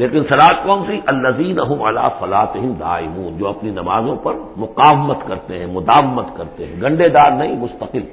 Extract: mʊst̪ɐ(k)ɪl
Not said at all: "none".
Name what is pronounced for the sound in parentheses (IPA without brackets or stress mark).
q